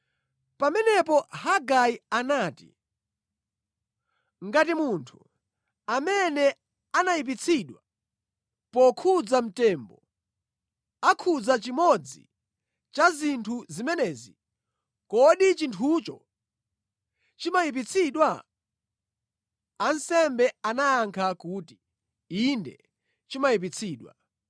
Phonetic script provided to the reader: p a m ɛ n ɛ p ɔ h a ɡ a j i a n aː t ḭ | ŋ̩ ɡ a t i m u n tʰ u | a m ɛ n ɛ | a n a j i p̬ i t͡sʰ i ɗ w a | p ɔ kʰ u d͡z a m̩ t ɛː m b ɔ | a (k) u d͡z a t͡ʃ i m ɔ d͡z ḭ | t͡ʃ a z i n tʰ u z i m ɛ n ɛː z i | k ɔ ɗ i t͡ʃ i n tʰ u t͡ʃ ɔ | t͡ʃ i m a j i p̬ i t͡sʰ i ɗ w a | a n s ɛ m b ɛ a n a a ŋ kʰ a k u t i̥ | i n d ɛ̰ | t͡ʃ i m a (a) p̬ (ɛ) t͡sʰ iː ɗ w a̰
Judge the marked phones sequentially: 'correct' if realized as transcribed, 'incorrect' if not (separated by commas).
incorrect, incorrect, incorrect